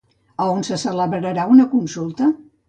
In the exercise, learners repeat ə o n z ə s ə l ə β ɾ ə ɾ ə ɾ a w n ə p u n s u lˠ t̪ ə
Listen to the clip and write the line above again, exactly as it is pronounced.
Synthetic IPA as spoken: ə o n s ə s ə l ə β ɾ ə ɾ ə ɾ a u n ə k u n s u lˠ t̪ ə